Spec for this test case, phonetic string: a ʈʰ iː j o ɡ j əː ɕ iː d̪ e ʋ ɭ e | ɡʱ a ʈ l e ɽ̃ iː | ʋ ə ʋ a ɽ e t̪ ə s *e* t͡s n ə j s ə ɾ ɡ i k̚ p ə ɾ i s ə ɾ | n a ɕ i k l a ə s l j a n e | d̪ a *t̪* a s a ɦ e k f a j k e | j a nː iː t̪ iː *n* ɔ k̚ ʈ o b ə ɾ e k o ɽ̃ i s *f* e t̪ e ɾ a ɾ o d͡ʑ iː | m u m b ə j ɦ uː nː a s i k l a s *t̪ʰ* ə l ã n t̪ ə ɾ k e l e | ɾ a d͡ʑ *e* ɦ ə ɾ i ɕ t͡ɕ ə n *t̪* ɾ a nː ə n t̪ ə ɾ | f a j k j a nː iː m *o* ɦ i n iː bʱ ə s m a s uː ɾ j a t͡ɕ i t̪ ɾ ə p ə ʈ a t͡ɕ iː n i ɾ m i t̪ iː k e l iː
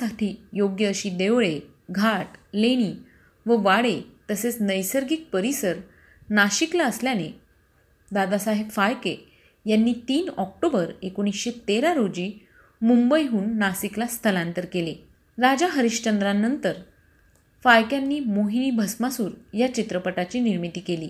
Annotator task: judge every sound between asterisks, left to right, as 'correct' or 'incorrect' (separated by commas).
correct, incorrect, correct, incorrect, correct, incorrect, incorrect, correct